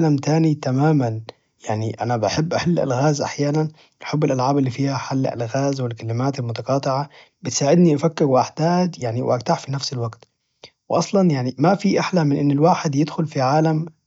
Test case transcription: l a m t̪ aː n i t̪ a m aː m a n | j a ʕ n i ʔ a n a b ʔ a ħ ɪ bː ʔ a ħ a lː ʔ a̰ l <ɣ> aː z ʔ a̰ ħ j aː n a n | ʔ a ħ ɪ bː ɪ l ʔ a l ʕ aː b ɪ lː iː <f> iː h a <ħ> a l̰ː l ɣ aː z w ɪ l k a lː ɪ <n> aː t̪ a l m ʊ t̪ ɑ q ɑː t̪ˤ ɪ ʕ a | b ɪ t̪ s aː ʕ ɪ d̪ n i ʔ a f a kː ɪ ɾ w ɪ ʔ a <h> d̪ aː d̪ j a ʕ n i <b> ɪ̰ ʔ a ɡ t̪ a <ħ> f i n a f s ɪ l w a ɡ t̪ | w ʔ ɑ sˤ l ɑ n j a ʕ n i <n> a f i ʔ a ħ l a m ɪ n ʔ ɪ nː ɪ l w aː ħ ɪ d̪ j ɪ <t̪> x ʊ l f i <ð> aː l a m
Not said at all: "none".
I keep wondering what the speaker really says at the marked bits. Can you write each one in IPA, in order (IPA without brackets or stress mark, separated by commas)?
ɣ, f, ħ, m, ħ, w, ħ, m, d̪, ʕ